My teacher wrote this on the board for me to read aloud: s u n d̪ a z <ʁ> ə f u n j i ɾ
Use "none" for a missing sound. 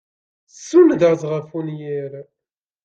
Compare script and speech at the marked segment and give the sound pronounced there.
ʁ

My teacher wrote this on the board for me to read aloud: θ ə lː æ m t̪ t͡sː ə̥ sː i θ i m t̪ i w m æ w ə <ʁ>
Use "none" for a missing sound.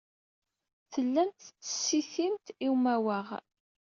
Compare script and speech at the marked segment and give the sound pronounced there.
ʁ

